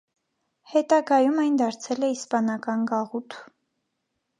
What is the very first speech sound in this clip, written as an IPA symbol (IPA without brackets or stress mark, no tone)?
h